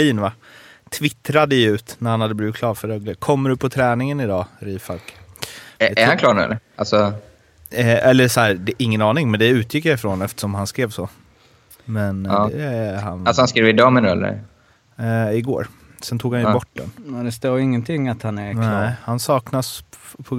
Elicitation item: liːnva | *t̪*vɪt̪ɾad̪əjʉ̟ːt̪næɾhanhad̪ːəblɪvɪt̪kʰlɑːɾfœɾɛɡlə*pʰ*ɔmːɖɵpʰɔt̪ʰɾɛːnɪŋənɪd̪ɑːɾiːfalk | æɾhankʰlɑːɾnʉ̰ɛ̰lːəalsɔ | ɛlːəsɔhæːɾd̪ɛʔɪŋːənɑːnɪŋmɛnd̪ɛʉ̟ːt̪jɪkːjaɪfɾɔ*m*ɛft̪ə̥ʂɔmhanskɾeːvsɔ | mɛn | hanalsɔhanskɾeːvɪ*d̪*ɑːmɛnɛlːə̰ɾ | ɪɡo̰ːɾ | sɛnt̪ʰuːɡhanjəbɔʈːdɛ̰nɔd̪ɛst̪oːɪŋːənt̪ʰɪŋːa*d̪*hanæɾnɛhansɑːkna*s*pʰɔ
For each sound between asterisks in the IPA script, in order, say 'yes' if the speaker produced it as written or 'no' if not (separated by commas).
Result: no, no, no, yes, no, yes